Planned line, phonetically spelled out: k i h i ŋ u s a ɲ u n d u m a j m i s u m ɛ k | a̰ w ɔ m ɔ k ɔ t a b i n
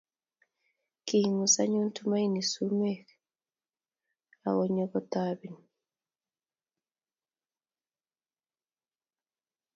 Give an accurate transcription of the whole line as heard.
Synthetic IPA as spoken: k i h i ŋ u s a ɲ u n t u m a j n i s u m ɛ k | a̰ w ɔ ɲ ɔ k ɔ t a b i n